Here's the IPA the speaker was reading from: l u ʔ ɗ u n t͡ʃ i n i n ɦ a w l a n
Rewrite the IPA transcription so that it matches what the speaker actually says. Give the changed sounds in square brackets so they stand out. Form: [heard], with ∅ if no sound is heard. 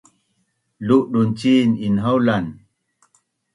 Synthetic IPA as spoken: l u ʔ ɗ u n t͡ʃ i n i n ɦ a w l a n